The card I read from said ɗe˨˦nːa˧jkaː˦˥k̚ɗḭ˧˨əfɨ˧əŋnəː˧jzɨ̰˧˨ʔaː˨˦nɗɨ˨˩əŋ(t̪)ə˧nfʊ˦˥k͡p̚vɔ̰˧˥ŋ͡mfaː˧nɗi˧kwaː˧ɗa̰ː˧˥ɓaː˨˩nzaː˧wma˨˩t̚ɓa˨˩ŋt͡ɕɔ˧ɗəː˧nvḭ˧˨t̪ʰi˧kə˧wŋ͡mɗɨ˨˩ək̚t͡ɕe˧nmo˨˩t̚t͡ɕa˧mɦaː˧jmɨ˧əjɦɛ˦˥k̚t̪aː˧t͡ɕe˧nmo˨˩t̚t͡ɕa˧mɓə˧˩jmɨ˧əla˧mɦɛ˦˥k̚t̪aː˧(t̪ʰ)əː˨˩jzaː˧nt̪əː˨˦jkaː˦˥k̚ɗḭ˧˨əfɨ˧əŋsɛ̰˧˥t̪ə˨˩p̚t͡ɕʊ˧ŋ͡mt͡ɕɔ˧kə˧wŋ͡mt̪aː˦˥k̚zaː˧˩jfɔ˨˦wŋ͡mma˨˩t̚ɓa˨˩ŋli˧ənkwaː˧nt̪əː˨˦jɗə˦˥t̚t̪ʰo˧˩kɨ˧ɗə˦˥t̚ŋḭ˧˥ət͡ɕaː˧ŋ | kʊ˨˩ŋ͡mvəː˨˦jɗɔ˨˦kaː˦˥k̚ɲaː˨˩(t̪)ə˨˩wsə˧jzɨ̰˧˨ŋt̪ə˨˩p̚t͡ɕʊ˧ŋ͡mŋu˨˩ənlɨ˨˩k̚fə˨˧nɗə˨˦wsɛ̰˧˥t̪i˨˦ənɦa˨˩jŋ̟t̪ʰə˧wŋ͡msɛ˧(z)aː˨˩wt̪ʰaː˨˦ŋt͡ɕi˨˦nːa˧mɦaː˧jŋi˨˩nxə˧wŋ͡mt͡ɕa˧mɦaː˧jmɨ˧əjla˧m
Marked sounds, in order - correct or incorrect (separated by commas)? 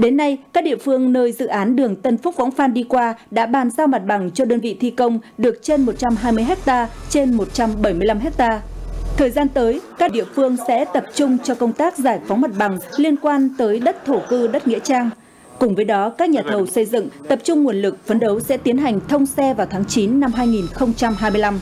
correct, correct, incorrect, incorrect